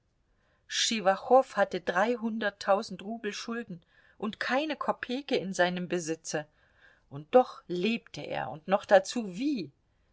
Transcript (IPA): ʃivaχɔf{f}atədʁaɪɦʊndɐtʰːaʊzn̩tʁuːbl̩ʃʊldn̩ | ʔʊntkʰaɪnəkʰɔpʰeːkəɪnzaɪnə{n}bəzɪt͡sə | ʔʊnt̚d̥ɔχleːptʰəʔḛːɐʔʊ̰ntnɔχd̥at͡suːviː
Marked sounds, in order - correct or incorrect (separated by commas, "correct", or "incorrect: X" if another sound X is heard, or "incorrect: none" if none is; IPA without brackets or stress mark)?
incorrect: h, incorrect: m